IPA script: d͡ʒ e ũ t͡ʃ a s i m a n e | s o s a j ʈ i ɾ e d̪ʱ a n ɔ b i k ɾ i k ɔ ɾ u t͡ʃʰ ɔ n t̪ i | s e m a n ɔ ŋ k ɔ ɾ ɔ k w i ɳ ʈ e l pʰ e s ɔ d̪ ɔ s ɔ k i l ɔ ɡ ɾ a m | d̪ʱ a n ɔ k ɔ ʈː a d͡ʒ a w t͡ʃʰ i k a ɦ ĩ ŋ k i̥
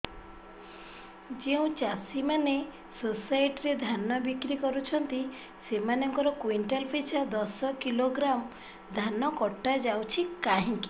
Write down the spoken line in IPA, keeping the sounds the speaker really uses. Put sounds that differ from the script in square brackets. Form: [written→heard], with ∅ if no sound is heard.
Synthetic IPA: d͡ʒ e ũ t͡ʃ a s i m a n e | s o s a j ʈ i ɾ e d̪ʱ a n ɔ b i k ɾ i k ɔ ɾ u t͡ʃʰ ɔ n t̪ i | s e m a n ɔ ŋ k ɔ ɾ ɔ k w i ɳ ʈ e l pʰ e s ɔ d̪ ɔ s ɔ k i l [ɔ→o] ɡ ɾ a m | d̪ʱ a n ɔ k ɔ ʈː a d͡ʒ a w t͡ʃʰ i k a ɦ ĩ ŋ k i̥